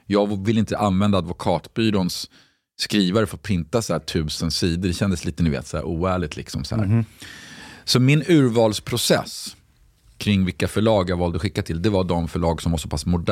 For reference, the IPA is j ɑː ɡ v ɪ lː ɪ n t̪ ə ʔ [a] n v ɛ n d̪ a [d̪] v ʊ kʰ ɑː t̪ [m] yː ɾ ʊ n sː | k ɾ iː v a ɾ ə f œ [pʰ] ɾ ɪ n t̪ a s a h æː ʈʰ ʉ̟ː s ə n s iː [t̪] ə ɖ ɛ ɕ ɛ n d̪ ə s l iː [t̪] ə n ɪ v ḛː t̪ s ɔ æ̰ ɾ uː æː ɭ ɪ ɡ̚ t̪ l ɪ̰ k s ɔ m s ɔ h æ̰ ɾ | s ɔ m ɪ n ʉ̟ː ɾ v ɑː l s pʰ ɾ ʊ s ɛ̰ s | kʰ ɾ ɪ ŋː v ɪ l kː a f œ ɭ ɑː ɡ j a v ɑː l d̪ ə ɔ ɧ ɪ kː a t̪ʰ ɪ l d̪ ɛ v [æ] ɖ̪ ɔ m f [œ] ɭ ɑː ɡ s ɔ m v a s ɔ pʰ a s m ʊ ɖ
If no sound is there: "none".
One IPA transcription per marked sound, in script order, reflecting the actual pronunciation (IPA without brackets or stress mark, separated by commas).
a, d̪, b, pʰ, d̪, t̪, a, œ